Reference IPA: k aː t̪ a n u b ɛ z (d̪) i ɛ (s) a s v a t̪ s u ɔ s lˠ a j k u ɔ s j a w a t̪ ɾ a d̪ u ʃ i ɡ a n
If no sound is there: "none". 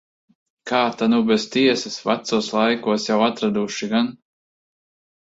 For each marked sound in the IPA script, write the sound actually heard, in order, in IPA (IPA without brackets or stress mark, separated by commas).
t̪, s